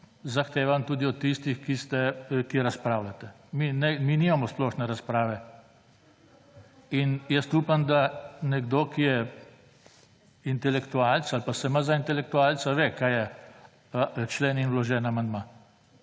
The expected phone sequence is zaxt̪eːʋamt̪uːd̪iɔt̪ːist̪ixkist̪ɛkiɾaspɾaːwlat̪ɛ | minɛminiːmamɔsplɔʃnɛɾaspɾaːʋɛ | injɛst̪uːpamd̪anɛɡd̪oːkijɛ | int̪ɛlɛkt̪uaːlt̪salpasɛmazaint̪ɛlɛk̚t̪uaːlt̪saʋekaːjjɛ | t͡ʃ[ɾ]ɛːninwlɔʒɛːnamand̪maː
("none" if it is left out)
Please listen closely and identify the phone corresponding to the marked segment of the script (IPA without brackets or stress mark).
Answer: l